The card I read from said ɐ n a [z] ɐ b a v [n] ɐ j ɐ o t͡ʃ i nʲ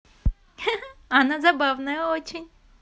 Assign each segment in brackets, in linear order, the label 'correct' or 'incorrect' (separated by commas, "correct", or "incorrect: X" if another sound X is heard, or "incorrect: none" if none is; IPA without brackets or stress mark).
correct, correct